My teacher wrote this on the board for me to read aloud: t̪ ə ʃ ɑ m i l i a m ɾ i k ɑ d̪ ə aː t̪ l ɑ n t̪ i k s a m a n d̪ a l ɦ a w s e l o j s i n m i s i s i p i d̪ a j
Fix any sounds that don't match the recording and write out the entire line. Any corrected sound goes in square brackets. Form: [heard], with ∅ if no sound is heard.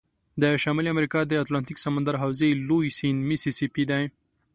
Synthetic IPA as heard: [d̪] ə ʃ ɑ m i l i a m ɾ i k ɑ d̪ ə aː t̪ l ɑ n t̪ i k s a m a n d̪ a [ɾ] ɦ a w [z] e l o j s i n m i s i s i p i d̪ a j